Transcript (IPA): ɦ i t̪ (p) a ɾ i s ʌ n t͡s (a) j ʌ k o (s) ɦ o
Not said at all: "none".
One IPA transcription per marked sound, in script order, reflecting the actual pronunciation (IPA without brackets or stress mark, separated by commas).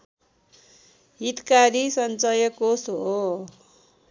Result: k, ʌ, s